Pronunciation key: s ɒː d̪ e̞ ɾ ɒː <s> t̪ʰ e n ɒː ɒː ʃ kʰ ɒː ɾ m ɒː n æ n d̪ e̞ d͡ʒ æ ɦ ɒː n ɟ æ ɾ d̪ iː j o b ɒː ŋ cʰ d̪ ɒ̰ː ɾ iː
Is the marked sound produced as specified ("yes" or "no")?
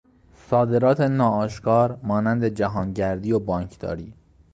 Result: no